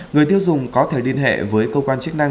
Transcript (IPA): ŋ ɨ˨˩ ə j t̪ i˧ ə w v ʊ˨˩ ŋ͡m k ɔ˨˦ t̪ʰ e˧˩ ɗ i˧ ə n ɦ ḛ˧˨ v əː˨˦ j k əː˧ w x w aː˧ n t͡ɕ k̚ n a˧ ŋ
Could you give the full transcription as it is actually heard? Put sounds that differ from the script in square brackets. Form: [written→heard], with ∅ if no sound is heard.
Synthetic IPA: ŋ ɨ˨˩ ə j t̪ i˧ ə w [v→z] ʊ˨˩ ŋ͡m k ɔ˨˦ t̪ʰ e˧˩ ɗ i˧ ə n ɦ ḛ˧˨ v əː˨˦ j k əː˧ w [x→k] w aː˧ n t͡ɕ k̚ n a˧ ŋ